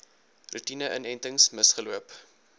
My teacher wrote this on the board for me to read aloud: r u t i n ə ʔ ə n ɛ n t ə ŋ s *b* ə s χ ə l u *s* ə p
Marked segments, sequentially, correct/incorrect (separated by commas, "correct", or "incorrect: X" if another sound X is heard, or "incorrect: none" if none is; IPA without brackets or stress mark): incorrect: m, incorrect: none